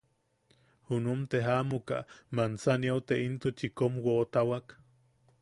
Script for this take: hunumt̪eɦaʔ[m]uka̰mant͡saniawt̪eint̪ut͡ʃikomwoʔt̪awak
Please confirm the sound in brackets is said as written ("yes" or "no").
yes